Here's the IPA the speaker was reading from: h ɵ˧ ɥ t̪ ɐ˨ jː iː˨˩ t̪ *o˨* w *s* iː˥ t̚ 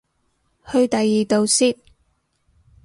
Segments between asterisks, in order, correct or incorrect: correct, correct

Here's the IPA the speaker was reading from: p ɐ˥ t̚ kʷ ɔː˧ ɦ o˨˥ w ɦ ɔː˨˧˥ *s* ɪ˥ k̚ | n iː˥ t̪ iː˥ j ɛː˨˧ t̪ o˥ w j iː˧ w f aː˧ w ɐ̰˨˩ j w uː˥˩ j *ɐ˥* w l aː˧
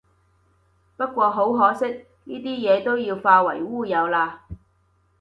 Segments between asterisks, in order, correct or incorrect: correct, incorrect

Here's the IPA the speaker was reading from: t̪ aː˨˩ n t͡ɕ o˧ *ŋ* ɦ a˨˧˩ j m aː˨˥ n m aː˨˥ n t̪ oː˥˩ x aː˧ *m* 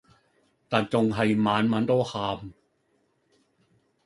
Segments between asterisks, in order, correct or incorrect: correct, correct

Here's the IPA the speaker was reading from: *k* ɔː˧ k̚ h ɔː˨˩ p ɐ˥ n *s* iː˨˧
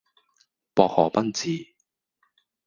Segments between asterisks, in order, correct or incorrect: incorrect, incorrect

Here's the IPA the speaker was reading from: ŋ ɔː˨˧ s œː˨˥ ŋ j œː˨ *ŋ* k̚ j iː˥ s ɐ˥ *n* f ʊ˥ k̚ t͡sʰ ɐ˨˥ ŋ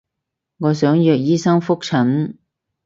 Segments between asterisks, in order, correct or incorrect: incorrect, incorrect

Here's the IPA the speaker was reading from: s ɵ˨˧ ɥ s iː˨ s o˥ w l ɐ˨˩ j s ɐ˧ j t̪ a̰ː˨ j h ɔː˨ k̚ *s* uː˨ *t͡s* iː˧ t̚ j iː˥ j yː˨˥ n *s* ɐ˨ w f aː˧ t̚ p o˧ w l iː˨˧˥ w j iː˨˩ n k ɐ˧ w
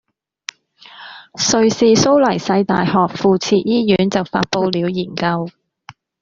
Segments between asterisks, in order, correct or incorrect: incorrect, incorrect, incorrect

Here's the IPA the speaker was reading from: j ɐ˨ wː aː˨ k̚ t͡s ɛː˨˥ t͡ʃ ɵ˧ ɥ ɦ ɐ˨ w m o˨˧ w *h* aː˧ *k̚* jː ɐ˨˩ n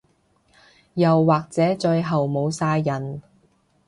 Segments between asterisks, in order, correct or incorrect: incorrect, incorrect

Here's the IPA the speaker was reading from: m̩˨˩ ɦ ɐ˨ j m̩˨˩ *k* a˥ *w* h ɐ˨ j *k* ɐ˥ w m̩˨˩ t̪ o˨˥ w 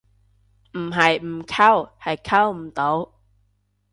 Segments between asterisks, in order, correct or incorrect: incorrect, correct, incorrect

